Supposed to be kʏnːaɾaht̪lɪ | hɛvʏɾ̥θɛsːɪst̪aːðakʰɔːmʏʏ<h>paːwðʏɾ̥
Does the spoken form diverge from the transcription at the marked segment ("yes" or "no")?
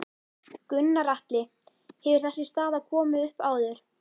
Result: no